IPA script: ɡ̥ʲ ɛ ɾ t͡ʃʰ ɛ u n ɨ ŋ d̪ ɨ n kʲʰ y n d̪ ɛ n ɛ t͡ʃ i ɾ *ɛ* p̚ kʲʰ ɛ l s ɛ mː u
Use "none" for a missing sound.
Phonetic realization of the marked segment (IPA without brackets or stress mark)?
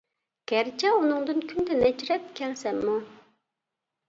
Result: ɛ